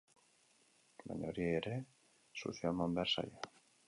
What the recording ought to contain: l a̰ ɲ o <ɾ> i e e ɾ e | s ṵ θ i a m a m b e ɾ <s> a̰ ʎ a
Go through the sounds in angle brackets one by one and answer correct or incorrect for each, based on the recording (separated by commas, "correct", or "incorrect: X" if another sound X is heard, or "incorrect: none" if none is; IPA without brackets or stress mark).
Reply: correct, correct